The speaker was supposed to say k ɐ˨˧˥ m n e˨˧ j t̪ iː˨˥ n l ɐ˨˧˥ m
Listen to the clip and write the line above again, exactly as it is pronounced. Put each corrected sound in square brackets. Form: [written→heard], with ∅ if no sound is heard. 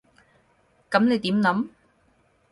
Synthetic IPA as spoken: k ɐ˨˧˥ m n e˨˧ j t̪ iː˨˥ [n→m] l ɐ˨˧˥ m